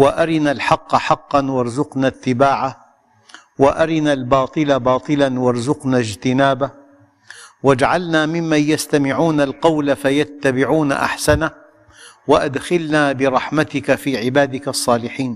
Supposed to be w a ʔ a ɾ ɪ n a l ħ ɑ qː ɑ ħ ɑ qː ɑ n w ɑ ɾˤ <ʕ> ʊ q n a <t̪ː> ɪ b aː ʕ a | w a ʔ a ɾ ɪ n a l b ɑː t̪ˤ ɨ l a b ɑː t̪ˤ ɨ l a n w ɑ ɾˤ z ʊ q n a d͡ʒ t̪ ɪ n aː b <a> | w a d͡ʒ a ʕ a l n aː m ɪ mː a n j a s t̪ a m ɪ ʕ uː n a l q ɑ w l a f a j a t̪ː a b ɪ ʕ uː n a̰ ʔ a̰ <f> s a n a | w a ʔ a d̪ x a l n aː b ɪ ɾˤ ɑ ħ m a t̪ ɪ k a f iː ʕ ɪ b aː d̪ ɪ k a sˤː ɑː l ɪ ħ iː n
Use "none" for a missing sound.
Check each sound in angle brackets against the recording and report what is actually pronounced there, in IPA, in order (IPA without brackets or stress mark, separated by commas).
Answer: z, t̪ː, a, ħ